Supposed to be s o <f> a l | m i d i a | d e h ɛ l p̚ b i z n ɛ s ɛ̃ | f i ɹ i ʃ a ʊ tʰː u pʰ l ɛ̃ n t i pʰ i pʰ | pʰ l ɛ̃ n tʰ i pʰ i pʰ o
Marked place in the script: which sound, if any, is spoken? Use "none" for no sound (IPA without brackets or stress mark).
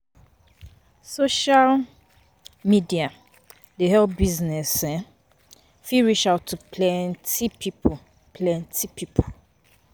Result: ʃ